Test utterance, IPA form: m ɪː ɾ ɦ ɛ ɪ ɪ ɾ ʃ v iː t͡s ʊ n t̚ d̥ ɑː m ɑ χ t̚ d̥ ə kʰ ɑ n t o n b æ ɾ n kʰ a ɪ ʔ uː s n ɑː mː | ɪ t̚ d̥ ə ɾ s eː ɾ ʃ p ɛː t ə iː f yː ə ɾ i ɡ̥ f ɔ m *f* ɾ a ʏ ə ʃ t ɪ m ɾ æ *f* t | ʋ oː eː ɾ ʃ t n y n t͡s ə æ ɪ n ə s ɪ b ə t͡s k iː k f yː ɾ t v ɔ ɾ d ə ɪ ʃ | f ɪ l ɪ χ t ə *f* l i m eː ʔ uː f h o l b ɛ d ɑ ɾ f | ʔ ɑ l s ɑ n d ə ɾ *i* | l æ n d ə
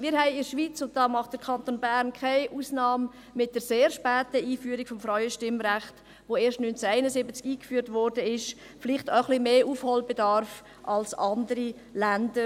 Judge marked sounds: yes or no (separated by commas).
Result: yes, no, no, yes